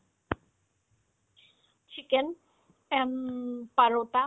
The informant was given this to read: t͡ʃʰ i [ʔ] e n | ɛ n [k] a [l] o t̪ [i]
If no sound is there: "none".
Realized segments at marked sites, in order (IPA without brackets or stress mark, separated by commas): k, p, ɾ, a